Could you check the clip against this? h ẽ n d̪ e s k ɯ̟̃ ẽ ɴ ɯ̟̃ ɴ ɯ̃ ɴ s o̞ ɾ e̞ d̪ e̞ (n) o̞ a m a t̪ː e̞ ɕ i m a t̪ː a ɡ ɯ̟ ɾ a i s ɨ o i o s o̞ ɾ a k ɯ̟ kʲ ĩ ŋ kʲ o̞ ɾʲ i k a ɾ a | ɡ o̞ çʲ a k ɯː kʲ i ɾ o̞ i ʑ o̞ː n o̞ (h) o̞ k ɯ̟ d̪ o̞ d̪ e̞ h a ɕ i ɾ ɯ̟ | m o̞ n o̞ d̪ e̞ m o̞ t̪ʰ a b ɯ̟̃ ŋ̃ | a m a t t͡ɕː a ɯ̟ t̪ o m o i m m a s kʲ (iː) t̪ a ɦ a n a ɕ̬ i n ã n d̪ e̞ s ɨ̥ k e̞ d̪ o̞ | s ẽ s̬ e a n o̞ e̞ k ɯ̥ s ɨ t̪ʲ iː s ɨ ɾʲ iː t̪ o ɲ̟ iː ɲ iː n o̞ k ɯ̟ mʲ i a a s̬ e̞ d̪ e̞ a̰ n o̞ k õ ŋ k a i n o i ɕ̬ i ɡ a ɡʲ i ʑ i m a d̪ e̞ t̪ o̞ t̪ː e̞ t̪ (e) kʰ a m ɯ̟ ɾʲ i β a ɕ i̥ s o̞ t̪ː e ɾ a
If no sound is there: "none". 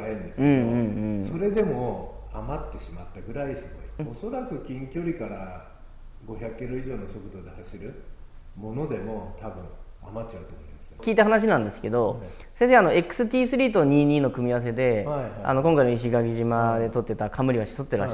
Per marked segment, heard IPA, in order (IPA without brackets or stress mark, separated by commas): m, s, iː, a